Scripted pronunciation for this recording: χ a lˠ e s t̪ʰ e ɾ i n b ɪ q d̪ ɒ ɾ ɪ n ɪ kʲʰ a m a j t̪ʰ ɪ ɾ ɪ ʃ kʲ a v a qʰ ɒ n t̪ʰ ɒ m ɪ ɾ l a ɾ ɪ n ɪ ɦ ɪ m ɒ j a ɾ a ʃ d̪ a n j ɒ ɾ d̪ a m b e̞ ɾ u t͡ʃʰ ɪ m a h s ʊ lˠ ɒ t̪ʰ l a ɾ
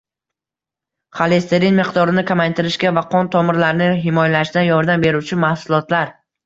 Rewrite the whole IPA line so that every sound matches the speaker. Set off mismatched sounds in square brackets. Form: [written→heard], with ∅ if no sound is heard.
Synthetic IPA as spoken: χ a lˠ e s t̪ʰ e ɾ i n [b→m] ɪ q d̪ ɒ ɾ ɪ n ɪ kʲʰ a m a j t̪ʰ ɪ ɾ ɪ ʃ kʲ a v a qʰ ɒ n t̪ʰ ɒ m ɪ ɾ l a ɾ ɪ n ɪ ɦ ɪ m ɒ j a [ɾ→l] a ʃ d̪ a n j ɒ ɾ d̪ a m b e̞ ɾ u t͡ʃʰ ɪ m a h s ʊ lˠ ɒ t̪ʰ l a ɾ